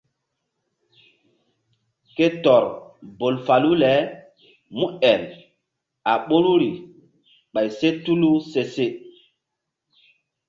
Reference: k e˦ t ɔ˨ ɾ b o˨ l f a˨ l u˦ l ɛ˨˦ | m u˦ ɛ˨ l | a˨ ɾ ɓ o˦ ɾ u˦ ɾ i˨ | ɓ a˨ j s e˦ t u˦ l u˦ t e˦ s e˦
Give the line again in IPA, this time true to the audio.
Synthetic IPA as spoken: k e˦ t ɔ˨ ɾ b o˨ l f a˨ l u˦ l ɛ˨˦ | m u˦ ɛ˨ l | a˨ ɓ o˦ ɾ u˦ ɾ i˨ | ɓ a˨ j s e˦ t u˦ l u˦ s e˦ s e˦